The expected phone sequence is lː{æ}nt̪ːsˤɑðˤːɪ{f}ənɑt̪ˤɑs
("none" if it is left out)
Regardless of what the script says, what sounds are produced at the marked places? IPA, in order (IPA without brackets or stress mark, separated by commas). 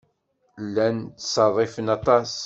æ, f